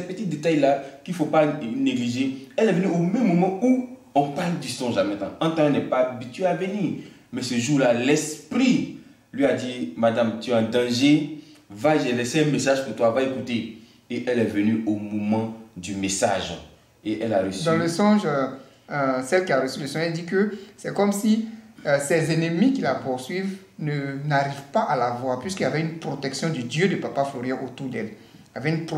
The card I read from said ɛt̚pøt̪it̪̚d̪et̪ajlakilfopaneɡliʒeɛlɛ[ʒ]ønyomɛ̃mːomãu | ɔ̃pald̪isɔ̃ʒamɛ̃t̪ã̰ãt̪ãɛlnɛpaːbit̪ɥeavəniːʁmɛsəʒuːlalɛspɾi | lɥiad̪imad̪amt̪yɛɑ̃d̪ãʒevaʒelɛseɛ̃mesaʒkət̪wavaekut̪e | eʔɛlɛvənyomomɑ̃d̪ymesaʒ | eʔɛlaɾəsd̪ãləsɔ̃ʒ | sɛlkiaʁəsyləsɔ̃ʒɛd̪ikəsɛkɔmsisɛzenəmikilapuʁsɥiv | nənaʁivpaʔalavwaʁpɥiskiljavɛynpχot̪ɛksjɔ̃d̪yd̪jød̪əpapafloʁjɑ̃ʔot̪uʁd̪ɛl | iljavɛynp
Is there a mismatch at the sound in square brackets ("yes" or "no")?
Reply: yes